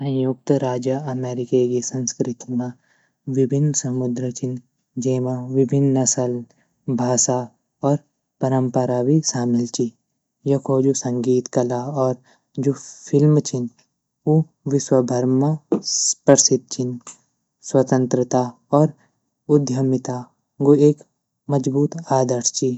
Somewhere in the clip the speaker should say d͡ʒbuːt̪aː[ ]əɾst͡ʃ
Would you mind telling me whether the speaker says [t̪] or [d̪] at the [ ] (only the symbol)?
d̪